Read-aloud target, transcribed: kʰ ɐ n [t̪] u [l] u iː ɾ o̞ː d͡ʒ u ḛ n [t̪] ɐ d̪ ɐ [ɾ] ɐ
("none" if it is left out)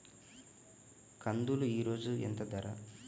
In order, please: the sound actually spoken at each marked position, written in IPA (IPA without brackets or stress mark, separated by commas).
d̪, l, t̪, ɾ